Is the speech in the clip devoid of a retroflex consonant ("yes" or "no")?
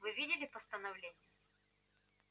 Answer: yes